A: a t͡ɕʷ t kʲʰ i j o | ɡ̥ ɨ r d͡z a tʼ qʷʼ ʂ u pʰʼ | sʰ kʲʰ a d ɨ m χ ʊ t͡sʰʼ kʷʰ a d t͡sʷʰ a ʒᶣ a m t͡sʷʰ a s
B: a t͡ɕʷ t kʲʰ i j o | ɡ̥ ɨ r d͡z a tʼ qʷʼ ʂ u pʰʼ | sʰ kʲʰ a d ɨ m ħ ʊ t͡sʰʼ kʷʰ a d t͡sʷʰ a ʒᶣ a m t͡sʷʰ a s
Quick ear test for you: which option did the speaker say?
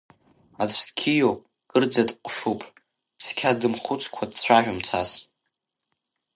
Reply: A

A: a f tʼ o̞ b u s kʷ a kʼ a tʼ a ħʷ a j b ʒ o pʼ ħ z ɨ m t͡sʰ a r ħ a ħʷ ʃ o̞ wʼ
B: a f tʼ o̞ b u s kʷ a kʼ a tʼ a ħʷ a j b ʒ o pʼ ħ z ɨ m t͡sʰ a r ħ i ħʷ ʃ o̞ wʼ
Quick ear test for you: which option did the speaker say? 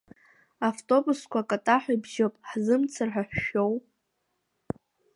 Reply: A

